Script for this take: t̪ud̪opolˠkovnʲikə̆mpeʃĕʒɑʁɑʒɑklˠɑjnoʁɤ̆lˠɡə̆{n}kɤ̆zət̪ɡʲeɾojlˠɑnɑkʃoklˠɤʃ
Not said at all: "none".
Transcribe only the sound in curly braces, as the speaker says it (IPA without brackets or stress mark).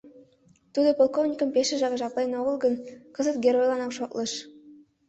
n